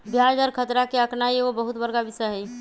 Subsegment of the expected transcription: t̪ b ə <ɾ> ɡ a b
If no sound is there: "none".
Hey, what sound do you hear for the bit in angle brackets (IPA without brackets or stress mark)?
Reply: ɾ